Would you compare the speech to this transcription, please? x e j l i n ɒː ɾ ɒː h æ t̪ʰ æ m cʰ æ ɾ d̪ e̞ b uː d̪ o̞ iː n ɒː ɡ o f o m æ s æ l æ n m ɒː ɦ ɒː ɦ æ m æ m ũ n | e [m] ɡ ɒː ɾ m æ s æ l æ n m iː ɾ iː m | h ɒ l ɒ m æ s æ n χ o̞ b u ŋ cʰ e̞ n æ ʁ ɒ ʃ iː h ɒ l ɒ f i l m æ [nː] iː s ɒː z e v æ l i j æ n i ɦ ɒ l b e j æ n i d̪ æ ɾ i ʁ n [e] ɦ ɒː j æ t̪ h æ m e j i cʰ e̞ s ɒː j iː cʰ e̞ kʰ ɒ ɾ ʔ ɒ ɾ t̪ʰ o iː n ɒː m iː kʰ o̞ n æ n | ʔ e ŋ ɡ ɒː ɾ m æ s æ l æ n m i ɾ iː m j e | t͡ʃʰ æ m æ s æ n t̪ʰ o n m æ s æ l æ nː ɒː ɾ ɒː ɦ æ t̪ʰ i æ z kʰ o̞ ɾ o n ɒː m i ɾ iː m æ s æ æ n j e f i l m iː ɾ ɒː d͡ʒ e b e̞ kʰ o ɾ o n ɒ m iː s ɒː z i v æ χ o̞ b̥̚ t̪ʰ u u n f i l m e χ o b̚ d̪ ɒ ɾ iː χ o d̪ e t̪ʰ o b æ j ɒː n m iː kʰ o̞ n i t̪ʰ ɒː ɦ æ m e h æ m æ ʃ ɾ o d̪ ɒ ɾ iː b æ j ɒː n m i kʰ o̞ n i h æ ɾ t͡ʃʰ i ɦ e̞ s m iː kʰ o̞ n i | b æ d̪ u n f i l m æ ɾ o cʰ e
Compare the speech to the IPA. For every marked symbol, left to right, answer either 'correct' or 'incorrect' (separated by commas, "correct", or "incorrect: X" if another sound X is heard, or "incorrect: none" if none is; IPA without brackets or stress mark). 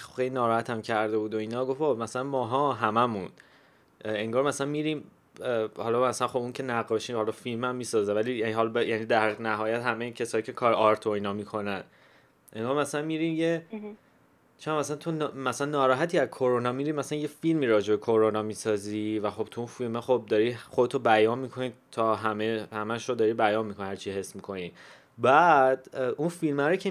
incorrect: ŋ, incorrect: mː, incorrect: æ